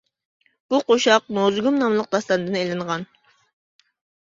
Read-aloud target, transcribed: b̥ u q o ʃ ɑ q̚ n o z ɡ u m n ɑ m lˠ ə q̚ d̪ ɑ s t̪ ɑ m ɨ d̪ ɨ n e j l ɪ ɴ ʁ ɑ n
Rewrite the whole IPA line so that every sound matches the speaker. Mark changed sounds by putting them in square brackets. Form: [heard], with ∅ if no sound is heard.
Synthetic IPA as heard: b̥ u q o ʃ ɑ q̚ n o z ɡ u m n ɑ m lˠ ə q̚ d̪ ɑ s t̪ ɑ [n] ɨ d̪ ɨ n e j l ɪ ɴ ʁ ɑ n